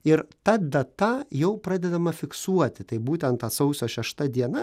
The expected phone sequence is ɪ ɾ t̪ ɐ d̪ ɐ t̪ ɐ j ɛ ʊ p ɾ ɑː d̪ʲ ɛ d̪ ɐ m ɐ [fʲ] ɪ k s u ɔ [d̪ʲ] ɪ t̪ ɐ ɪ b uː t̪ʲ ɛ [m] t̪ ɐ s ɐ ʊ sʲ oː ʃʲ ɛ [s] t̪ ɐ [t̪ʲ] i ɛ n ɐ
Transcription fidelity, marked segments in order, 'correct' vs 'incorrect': correct, incorrect: t̪ʲ, incorrect: n, incorrect: ʃ, incorrect: d̪ʲ

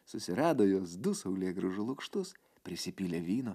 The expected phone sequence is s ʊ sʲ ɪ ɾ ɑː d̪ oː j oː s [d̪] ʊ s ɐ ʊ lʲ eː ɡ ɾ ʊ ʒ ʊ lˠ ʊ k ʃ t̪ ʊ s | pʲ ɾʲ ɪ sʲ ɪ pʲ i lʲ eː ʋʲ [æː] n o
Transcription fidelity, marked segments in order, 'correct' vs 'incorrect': correct, incorrect: iː

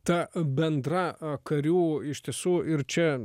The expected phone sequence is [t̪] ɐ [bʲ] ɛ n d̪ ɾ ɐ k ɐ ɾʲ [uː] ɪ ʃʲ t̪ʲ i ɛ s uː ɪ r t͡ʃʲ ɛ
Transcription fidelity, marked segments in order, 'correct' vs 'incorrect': correct, correct, correct

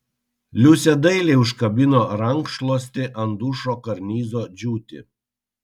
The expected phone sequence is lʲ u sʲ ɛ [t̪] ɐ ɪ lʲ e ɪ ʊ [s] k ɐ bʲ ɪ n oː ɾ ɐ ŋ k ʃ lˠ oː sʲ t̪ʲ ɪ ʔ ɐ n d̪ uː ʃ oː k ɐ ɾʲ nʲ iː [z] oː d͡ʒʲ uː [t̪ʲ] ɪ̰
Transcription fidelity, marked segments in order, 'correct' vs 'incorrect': incorrect: d̪, incorrect: ʃ, correct, correct

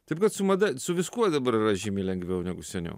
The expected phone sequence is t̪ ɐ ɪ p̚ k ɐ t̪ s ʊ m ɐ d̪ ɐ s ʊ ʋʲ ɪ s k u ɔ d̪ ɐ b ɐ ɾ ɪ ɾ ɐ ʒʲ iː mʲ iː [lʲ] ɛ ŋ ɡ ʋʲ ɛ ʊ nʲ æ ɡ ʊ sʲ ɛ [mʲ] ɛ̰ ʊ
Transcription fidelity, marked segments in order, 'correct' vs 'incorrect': correct, incorrect: nʲ

